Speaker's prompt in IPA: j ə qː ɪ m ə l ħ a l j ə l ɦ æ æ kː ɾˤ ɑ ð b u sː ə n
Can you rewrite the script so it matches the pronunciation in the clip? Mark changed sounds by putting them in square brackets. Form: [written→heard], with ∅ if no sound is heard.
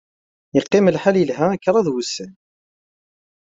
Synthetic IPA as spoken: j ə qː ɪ m ə l ħ a l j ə l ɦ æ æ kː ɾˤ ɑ ð [b→w] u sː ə n